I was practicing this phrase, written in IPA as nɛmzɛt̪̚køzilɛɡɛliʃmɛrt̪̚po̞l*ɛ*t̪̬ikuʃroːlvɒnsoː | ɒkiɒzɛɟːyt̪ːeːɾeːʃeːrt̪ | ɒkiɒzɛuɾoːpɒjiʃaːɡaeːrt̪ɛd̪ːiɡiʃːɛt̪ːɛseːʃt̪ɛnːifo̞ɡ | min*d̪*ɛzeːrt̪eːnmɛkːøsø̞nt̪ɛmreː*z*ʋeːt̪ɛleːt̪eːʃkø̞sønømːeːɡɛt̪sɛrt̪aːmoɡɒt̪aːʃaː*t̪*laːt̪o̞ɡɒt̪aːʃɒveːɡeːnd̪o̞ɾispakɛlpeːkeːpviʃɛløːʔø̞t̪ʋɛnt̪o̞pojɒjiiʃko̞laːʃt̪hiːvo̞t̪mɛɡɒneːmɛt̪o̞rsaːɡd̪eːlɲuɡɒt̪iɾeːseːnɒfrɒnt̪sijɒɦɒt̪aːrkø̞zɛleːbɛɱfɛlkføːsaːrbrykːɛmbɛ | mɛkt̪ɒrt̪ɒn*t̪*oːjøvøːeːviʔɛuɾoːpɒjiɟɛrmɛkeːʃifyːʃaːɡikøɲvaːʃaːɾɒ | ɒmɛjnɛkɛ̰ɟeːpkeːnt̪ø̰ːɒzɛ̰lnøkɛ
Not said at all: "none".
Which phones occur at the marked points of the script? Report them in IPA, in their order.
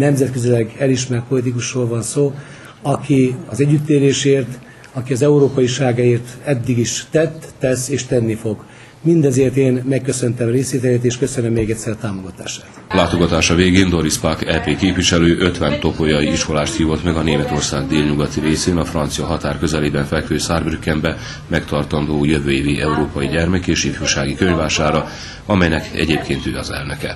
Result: i, d̪, s, t̪, d̪

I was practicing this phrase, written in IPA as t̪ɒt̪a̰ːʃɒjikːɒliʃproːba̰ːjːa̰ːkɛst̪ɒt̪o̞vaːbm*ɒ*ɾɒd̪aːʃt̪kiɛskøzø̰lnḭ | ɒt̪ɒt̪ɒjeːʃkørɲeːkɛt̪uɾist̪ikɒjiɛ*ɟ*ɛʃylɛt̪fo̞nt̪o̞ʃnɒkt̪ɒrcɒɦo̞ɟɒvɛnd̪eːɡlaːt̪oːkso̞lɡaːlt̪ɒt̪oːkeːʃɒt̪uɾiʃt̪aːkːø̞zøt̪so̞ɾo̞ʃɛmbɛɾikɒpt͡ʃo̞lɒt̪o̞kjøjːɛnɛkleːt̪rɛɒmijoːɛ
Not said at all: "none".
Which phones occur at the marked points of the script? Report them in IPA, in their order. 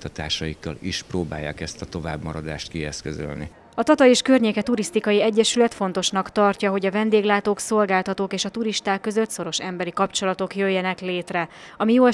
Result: ɒ, ɟː

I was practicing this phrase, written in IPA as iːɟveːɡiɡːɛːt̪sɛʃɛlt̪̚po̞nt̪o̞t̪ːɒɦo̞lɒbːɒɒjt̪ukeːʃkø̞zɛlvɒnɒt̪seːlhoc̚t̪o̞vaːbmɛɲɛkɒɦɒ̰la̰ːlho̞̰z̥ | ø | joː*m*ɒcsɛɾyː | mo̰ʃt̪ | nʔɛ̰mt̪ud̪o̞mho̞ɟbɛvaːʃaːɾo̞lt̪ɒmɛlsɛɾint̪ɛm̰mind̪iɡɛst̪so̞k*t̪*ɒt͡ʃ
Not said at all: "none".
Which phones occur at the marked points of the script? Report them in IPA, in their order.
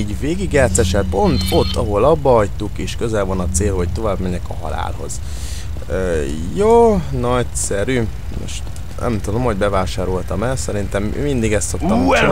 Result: n, t̪

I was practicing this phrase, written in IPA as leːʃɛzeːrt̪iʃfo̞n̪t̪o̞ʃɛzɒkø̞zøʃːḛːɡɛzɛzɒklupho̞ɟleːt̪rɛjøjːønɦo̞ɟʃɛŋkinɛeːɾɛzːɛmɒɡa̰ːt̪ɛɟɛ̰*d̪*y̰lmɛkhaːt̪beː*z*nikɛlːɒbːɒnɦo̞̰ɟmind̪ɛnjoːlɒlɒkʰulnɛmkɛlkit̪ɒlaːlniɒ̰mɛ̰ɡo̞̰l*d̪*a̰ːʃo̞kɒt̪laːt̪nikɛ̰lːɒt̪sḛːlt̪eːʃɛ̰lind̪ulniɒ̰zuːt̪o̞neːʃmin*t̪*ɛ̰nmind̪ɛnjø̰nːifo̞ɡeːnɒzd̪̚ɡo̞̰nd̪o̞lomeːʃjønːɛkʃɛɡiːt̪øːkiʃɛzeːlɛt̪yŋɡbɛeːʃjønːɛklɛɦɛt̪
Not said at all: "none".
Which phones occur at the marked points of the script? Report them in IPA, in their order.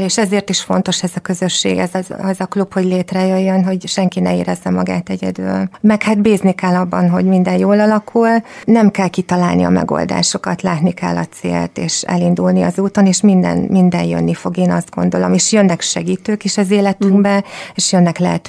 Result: d̪, z, d̪, d̪

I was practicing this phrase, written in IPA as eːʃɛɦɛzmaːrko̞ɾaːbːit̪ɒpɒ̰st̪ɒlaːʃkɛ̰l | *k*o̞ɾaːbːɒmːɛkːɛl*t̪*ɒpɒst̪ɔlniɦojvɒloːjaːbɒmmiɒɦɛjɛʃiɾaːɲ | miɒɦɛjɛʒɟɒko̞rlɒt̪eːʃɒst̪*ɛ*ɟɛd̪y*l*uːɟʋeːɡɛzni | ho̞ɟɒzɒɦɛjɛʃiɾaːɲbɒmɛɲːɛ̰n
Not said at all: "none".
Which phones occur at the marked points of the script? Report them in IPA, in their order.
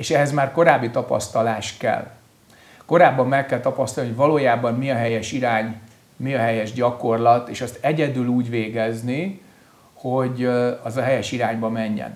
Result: k, t̪, ɛ, l

